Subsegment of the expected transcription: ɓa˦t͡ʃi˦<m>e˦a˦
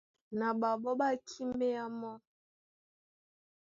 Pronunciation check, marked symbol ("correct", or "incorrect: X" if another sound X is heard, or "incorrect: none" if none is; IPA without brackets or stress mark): correct